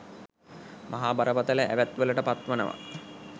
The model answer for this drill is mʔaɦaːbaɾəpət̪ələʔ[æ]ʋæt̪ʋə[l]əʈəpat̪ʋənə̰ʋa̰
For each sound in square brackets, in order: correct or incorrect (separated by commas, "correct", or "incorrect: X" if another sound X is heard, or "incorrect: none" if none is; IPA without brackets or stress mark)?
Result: correct, correct